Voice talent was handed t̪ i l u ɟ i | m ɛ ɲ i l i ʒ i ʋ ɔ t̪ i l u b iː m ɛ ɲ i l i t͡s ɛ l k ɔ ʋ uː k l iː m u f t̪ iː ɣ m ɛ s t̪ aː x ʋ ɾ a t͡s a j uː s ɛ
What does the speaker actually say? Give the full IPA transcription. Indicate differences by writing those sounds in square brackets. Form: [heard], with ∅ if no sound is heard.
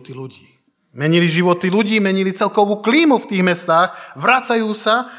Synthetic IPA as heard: t̪ i l u ɟ [iː] | m ɛ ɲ i l i ʒ i ʋ ɔ t̪ i l u [ɟ] iː m ɛ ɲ i l i t͡s ɛ l k ɔ ʋ uː k l iː m u f t̪ iː ɣ m ɛ s t̪ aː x ʋ ɾ a t͡s a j uː s [a]